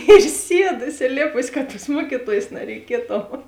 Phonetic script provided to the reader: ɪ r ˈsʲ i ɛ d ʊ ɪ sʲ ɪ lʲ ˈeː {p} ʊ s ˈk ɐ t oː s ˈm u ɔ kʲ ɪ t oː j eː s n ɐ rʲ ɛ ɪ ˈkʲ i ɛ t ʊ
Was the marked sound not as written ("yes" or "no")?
no